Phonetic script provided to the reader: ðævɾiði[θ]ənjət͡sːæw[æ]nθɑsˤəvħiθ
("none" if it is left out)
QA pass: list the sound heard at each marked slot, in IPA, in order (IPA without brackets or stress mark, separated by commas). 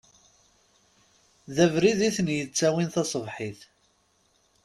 θ, i